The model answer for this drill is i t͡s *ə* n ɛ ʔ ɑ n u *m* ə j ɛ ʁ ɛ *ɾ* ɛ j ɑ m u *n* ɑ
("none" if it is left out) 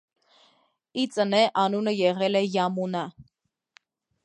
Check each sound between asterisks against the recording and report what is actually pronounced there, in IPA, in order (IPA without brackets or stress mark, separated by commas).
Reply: ə, n, l, n